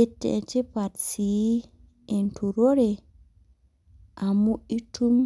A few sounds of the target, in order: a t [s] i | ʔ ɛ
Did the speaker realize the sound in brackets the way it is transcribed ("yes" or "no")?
yes